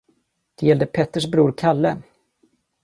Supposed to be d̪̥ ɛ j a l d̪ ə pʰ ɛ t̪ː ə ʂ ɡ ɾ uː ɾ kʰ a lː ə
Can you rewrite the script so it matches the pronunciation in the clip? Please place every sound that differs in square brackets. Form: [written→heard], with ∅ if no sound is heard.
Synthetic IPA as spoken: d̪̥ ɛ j [a→ɛ] l d̪ ə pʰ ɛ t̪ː ə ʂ [ɡ→b] ɾ uː ɾ kʰ a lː ə